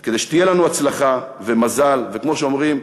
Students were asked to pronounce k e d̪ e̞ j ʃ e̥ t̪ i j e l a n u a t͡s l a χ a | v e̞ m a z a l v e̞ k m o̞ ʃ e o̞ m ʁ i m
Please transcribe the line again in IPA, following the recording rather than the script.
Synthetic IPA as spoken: k e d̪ e̞ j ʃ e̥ t̪ i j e l a n u a t͡s l a χ a | v e̞ m a z a l v e̞ k m o̞ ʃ e o̞ m ʁ i m

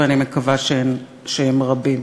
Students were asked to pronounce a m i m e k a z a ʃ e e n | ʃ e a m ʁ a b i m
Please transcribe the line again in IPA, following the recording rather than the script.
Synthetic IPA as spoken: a n i m e k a v a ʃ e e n | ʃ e e m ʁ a b i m

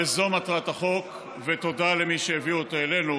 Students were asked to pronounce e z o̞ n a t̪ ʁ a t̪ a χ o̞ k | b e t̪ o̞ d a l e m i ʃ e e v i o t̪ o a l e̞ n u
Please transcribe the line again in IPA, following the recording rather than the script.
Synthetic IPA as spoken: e z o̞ m a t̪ ʁ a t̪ a χ o̞ k | v e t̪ o̞ d a l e m i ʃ e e v i o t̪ o e l e̞ n u

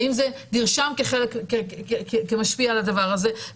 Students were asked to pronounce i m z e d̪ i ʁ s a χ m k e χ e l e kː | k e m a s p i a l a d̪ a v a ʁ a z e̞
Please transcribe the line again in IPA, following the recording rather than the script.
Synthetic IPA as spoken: i m z e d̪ i ʁ ʃ a m k e χ e l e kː | k e m a ʃ p i a l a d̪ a v a ʁ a z e̞

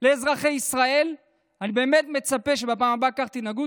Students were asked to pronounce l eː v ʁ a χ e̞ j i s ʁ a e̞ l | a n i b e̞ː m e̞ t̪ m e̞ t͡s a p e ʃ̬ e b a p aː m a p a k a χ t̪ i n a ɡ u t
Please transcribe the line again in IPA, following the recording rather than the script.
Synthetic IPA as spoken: l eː z ʁ a χ e̞ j i s ʁ a e̞ l | a n i b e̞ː m e̞ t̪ m e̞ t͡s a p e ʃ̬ e b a p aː m a b a k a χ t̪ i n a ɡ u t

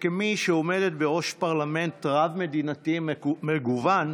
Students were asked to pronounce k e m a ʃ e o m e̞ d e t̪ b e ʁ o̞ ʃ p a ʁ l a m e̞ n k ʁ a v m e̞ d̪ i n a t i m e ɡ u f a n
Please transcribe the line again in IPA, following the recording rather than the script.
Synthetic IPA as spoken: k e m i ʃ e o m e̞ d e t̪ b e ʁ o̞ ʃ p a ʁ l a m e̞ n t ʁ a v m e̞ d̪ i n a t i m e ɡ u v a n

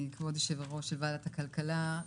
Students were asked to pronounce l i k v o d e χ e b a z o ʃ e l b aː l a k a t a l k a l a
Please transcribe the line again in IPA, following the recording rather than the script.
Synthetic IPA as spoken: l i k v o d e ʃ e v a ʁ o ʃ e l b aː l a t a k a l k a l a

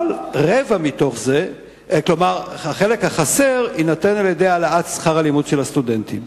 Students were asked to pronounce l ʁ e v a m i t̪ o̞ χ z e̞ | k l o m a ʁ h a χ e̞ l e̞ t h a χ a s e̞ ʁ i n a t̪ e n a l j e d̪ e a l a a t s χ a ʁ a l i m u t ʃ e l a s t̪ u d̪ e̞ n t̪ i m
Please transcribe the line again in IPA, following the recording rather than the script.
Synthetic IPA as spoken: l ʁ e v a m i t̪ o̞ χ z e̞ | k l o m a ʁ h a χ e̞ l e̞ k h a χ a s e̞ ʁ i n a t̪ e n a l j e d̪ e a l a a t s χ a ʁ a l i m u d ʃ e l a s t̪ u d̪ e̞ n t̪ i m

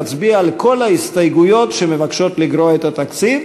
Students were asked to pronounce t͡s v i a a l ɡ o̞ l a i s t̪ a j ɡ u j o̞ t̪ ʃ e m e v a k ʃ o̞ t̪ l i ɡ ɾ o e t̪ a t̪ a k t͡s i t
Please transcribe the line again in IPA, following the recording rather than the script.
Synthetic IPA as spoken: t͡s b i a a l k o̞ l a i s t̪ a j ɡ u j o̞ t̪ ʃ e m e v a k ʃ o̞ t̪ l i ɡ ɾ o e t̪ a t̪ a k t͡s i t

